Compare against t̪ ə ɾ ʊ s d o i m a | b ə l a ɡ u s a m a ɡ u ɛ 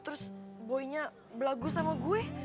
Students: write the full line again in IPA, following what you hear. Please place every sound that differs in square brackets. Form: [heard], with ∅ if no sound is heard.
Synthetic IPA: t̪ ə ɾ ʊ s [b] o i [ɲ] a | b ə l a ɡ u s a m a ɡ u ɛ